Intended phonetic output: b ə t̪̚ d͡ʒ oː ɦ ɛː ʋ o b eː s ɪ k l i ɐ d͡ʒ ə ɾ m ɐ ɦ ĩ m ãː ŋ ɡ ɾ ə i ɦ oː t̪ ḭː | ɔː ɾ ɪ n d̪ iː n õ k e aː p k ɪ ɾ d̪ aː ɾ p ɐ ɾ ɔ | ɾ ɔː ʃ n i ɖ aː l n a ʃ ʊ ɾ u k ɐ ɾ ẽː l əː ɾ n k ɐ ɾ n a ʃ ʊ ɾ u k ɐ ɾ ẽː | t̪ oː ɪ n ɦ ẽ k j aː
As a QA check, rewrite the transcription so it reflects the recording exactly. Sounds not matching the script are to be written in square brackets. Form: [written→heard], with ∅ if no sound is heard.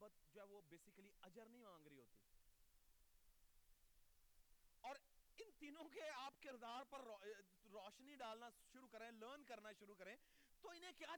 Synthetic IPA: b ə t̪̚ d͡ʒ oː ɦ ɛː ʋ o b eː s ɪ k l i ɐ d͡ʒ ə ɾ [m→n] ɐ ɦ ĩ m ãː ŋ ɡ ɾ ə i ɦ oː t̪ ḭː | ɔː ɾ ɪ n [d̪→t̪] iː n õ k e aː p k ɪ ɾ d̪ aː ɾ p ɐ ɾ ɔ | ɾ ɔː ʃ n i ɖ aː l n a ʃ ʊ ɾ u k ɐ ɾ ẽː l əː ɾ n k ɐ ɾ n a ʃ ʊ ɾ u k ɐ ɾ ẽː | t̪ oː ɪ n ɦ ẽ k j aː